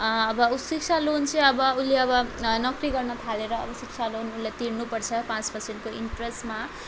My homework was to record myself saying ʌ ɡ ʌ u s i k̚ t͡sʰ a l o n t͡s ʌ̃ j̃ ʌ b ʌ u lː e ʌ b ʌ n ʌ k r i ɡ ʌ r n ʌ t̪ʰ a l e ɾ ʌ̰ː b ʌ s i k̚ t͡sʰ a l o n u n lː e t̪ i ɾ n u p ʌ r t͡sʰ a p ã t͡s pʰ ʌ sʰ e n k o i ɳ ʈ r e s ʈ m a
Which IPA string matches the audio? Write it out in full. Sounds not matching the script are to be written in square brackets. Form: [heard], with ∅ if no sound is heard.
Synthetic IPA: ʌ [b] ʌ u s i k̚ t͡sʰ a l o n t͡s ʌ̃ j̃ ʌ b ʌ u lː e ʌ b ʌ n ʌ k r i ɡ ʌ r n ʌ t̪ʰ a l e ɾ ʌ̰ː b ʌ s i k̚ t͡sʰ a l o n u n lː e t̪ i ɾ n u p ʌ r t͡sʰ [ʌ] p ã t͡s [p] ʌ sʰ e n k o i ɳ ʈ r e s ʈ m a